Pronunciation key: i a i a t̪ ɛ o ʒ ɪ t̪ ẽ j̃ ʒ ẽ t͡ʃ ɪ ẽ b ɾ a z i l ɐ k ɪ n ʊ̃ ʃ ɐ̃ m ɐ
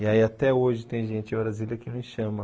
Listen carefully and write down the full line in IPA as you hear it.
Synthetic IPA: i a i a t̪ ɛ o ʒ ɪ t̪ ẽ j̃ ʒ ẽ t͡ʃ ɪ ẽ b ɾ a z i l ɐ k ɪ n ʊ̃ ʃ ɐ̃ m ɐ